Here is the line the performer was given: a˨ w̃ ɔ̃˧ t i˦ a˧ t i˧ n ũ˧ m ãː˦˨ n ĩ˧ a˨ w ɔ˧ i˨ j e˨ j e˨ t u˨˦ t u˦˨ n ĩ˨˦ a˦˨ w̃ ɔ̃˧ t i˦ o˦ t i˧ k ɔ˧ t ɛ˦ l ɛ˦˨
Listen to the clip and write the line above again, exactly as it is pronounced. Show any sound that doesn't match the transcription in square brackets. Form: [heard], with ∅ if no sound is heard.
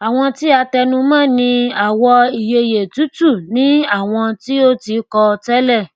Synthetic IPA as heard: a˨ w̃ ɔ̃˧ t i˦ a˧ t [ɛ˧] n ũ˧ m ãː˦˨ n ĩ˧ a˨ w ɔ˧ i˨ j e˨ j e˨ t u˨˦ t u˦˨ n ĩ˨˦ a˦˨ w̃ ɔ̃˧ t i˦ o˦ t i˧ k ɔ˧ t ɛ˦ l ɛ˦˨